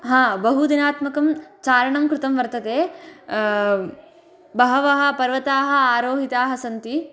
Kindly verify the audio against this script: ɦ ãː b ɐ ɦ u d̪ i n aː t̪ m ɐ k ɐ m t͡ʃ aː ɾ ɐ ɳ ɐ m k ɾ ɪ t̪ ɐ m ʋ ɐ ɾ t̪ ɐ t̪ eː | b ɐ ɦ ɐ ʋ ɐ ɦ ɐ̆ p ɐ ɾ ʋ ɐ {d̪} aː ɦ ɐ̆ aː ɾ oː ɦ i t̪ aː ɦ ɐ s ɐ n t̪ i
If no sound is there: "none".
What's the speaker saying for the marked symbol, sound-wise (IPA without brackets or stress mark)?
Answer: t̪